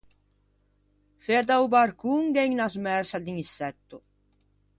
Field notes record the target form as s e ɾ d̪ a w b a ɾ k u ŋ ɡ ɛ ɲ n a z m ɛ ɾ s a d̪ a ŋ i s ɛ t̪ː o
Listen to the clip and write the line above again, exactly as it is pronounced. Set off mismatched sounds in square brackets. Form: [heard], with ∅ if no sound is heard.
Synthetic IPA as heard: [f] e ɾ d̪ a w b a ɾ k u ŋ ɡ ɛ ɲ n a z m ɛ ɾ s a d̪ [i] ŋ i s ɛ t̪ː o